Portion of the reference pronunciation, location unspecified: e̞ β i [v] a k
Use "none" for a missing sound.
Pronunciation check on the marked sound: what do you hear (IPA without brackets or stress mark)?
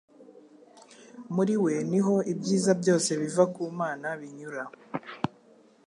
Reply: v